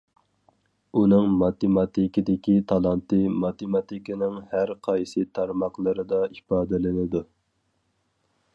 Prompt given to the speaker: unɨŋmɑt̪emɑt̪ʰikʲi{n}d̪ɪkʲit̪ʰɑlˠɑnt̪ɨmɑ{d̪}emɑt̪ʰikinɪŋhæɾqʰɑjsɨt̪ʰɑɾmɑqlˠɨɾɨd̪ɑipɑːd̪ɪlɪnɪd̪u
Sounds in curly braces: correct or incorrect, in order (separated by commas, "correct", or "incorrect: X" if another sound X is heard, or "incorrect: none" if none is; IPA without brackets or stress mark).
incorrect: none, incorrect: t̪